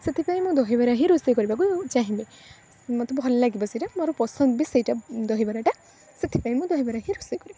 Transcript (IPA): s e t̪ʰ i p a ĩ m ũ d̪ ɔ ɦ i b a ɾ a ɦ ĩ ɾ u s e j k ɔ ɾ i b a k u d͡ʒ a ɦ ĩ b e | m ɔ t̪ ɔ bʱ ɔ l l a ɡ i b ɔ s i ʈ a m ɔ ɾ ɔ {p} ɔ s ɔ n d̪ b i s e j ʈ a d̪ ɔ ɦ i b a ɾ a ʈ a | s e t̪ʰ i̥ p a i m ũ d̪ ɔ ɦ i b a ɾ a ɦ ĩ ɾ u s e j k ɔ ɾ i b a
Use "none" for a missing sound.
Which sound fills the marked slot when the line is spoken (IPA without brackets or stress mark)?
p